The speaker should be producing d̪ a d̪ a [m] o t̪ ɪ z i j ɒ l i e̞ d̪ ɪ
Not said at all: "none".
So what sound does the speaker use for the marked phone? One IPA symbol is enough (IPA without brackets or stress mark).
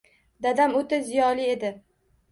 m